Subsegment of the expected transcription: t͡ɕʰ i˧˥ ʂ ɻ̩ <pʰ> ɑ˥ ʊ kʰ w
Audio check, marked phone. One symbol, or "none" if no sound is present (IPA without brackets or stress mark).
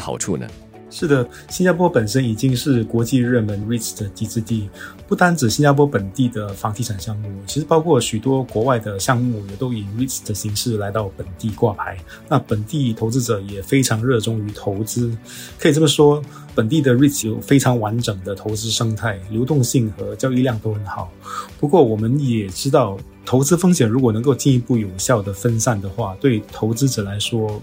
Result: p